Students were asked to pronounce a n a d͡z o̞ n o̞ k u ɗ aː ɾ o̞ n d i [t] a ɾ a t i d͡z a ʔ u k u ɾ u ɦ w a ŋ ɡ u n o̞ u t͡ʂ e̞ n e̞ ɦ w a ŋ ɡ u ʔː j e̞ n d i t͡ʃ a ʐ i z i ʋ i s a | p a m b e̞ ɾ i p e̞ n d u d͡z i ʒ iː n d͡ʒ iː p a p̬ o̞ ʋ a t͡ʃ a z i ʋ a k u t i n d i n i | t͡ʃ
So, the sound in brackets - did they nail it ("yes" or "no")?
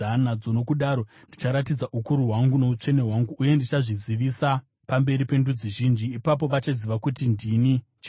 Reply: no